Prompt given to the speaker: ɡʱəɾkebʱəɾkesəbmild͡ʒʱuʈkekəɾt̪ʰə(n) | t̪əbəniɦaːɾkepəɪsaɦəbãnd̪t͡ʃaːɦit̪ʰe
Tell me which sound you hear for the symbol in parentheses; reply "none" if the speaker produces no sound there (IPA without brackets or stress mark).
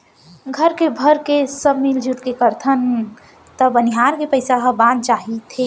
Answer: n